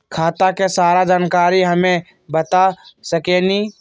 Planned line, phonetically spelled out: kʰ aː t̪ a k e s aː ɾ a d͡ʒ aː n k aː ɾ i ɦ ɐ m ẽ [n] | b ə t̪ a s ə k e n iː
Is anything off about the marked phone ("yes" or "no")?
yes